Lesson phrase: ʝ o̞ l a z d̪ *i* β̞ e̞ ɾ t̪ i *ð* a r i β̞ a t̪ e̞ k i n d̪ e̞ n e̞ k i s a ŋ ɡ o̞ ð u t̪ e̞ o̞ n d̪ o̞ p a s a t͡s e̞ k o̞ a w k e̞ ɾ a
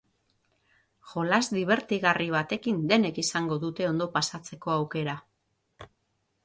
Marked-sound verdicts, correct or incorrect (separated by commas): correct, incorrect